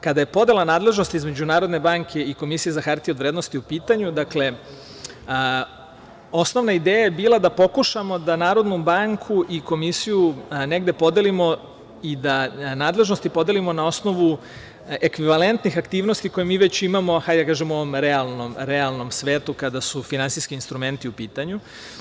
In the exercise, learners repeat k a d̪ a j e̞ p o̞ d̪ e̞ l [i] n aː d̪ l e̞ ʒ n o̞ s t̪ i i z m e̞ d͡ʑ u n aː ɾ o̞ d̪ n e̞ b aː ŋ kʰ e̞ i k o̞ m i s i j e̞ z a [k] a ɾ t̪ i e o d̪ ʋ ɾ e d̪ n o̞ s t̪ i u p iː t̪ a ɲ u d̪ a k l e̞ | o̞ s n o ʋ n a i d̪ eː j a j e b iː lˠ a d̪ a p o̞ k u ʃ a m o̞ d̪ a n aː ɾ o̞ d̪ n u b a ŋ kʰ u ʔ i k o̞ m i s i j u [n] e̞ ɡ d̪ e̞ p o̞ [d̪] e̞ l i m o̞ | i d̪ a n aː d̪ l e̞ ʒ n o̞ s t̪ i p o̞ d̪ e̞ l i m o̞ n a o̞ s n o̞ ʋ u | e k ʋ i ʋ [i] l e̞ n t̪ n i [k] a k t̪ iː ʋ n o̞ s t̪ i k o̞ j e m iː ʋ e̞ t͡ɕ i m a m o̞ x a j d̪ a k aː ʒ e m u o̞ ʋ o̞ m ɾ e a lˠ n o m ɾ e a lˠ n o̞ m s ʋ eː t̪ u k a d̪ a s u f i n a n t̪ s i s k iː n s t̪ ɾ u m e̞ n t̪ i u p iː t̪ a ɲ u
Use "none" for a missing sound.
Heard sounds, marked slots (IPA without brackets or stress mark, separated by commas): a, x, n, d̪, a, x